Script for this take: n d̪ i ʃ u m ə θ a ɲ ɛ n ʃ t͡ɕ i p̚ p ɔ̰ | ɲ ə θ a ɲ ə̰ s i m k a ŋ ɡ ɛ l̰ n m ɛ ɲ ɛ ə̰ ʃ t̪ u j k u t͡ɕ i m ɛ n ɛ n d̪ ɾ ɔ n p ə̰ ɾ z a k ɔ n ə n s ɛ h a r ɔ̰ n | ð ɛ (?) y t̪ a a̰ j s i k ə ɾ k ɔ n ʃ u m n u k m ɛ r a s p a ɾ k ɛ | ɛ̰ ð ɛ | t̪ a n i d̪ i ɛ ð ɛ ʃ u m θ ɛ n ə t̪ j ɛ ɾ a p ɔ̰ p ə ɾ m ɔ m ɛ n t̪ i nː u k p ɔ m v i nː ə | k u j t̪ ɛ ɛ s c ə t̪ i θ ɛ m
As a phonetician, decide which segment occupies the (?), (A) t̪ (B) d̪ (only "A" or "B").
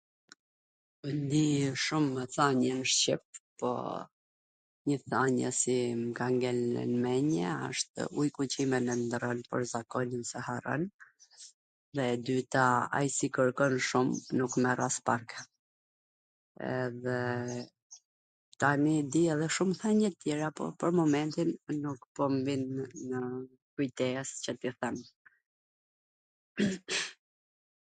B